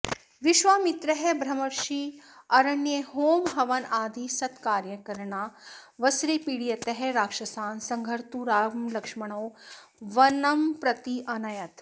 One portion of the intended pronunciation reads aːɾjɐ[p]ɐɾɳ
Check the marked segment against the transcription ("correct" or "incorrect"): incorrect